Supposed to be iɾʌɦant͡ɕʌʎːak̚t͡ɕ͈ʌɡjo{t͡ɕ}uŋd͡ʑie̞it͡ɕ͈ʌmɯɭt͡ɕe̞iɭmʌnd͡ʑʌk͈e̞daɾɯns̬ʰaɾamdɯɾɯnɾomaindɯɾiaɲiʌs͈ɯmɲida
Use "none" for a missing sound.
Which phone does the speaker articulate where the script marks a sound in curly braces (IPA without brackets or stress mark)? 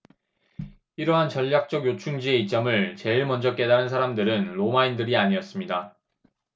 t͡ɕʰ